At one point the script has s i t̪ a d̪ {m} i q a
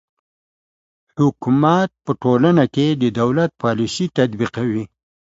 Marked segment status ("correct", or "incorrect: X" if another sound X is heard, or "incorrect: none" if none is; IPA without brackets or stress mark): incorrect: b